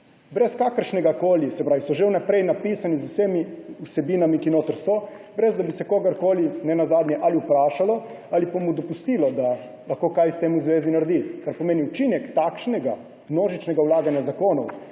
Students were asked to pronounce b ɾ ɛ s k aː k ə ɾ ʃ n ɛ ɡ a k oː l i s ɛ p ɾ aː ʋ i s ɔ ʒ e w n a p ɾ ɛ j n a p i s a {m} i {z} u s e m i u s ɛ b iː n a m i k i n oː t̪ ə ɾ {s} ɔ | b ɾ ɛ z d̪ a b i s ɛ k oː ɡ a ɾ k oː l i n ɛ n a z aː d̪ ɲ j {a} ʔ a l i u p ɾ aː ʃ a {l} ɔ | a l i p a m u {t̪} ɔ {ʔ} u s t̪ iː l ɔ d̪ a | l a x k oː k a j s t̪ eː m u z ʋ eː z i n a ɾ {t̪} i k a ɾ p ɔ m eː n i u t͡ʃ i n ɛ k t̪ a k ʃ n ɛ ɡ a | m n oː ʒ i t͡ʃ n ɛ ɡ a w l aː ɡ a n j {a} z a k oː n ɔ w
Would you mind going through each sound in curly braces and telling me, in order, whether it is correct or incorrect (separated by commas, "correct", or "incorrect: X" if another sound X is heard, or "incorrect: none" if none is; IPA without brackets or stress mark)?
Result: incorrect: n, correct, correct, incorrect: ɛ, correct, incorrect: d̪, incorrect: p, incorrect: d̪, correct